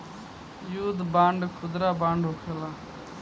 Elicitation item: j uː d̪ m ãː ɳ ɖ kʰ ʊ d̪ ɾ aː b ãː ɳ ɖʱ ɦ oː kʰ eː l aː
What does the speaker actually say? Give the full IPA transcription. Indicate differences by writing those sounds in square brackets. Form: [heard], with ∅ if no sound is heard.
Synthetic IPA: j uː d̪ [b] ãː ɳ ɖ kʰ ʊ d̪ ɾ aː b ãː ɳ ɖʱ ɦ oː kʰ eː l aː

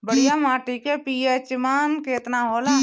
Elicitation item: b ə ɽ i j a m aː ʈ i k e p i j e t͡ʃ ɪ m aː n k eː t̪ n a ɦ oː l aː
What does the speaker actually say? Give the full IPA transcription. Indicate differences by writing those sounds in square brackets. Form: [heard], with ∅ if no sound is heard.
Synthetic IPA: b ə ɽ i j a m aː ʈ i k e p i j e t͡ʃ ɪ m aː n k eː t̪ n a ɦ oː l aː

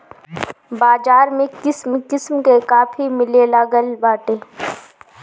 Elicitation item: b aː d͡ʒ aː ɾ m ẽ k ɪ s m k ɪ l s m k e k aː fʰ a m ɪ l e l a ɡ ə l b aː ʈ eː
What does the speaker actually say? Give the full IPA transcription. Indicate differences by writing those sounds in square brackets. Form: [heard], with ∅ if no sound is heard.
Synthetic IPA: b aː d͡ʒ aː ɾ m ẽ k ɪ s m k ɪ [∅] s m k e k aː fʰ [i] m ɪ l e l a ɡ ə l b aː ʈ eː

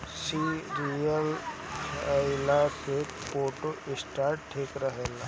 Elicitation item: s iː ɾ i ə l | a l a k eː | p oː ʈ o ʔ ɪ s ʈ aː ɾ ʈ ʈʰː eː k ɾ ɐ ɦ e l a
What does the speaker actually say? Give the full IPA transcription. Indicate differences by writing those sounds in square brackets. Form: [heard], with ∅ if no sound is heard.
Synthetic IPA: s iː ɾ i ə l | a l a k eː | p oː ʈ o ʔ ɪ s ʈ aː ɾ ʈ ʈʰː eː k ɾ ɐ ɦ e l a

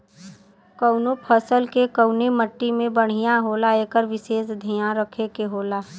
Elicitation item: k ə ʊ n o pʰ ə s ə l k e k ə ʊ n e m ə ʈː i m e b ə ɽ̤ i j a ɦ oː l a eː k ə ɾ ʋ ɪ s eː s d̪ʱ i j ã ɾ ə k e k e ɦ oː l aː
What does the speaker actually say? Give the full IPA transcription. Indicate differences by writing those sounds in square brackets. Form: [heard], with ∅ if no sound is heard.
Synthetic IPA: k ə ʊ n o pʰ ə s ə l k e k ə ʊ n e m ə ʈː i m [ẽ] b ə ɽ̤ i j a ɦ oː l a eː k ə ɾ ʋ ɪ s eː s d̪ʱ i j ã ɾ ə [kʰ] e k e ɦ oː l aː

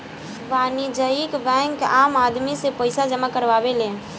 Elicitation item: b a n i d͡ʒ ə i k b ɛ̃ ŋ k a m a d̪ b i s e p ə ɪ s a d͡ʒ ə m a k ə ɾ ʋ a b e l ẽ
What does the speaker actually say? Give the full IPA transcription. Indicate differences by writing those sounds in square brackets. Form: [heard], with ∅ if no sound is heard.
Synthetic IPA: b a n i d͡ʒ ə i k b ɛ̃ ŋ k a m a d̪ [m] i s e p ə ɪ s a d͡ʒ ə m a k ə ɾ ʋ a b e l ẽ

